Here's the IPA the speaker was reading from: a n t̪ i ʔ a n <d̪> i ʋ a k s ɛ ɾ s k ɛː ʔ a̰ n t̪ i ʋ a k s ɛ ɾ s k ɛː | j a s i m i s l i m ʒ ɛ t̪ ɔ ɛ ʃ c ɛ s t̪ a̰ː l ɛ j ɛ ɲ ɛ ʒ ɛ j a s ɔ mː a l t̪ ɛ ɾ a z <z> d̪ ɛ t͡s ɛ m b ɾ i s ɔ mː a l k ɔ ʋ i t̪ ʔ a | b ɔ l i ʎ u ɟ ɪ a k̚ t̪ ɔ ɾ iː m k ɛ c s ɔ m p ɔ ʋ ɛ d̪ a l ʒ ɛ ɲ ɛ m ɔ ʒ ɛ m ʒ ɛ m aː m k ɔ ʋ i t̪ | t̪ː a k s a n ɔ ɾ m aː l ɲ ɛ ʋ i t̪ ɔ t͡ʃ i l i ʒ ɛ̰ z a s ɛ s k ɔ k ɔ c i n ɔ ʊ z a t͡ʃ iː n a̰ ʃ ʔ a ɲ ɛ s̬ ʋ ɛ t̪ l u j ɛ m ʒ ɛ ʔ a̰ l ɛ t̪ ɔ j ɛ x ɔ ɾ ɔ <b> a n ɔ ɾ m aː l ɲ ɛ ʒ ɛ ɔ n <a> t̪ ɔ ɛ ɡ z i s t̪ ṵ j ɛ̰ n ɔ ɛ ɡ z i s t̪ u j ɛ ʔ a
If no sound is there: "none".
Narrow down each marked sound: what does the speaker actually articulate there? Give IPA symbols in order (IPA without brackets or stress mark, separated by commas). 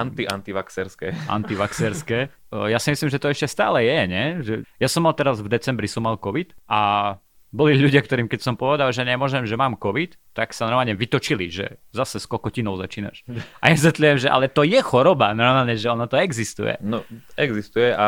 t̪, v, b, a